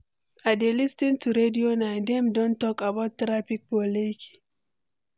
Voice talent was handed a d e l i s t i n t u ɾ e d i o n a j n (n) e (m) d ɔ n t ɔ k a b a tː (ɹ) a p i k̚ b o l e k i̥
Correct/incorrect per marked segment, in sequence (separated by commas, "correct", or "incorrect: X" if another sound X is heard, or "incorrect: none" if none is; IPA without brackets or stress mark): incorrect: d, correct, incorrect: ɾ